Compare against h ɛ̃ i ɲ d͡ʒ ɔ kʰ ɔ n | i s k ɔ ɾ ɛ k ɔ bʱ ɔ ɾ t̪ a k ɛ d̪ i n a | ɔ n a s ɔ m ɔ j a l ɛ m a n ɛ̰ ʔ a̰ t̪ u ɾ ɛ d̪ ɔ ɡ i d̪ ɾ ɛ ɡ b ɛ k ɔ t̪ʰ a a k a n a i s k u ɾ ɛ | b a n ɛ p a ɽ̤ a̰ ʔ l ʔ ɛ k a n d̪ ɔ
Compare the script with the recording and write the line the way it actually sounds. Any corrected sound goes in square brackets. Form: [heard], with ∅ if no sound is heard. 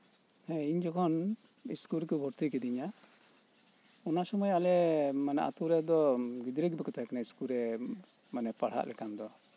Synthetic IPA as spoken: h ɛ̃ i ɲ d͡ʒ ɔ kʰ ɔ n | i s k [u] ɾ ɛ k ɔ bʱ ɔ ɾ t̪ [i] k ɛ d̪ i [ɲ] a | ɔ n a s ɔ m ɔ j a l ɛ m a n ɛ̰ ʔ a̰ t̪ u ɾ ɛ d̪ ɔ ɡ i d̪ ɾ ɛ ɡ b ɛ k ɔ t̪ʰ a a k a n a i s k u ɾ ɛ | [m] a n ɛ p a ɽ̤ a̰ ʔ l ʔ ɛ k a n d̪ ɔ